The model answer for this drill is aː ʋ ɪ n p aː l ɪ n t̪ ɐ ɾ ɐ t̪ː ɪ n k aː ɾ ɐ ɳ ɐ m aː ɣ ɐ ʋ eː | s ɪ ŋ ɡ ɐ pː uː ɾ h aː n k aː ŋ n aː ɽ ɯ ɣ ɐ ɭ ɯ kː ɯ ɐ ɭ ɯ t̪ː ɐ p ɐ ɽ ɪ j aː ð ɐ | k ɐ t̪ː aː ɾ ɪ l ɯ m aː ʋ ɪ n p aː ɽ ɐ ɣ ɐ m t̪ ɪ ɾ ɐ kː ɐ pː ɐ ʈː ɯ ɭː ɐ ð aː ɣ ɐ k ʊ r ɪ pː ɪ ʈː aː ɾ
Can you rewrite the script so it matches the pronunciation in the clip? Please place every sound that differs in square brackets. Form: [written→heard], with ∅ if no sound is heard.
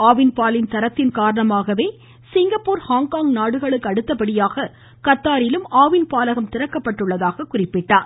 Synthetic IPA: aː ʋ ɪ n p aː l ɪ n t̪ ɐ ɾ ɐ t̪ː ɪ n k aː ɾ ɐ ɳ ɐ m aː ɣ ɐ ʋ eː | s ɪ ŋ ɡ ɐ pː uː ɾ h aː [n→ŋ] k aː ŋ n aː ɽ ɯ ɣ ɐ ɭ ɯ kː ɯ ɐ [ɭ→ɽ] ɯ t̪ː ɐ p ɐ ɽ ɪ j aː [ð→ɣ] ɐ | k ɐ t̪ː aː ɾ ɪ l ɯ m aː ʋ ɪ n p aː [ɽ→l] ɐ ɣ ɐ m t̪ ɪ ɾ ɐ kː ɐ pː ɐ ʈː ɯ ɭː ɐ ð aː ɣ ɐ k ʊ r ɪ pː ɪ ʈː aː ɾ